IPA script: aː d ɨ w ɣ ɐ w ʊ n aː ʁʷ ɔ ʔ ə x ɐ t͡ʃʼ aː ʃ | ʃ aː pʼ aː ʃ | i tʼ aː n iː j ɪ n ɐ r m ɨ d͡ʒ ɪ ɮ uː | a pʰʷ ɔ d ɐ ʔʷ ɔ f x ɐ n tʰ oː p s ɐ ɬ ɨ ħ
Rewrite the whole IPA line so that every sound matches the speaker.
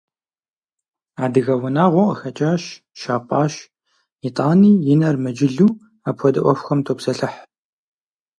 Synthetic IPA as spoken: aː d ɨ ɣ ɐ w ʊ n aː ʁʷ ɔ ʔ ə x ɐ t͡ʃʼ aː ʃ | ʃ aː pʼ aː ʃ | i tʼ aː n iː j ɪ n ɐ r m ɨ d͡ʒ ɪ ɮ uː | a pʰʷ ɔ d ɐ ʔʷ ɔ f x ɐ m tʰ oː p s ɐ ɬ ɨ ħ